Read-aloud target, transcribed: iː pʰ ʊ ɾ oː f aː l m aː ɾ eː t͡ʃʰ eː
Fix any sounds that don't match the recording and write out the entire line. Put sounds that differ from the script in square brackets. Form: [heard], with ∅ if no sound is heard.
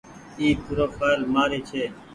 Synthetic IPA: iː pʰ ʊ ɾ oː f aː l m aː ɾ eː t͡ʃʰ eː